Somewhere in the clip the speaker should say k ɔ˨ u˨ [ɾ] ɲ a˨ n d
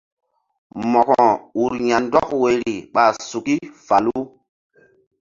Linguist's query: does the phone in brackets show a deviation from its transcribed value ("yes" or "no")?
no